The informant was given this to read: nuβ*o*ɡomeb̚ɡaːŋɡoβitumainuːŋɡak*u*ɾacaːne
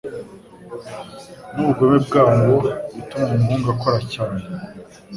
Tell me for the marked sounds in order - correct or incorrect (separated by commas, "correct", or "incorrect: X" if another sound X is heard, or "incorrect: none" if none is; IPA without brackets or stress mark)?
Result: incorrect: u, incorrect: o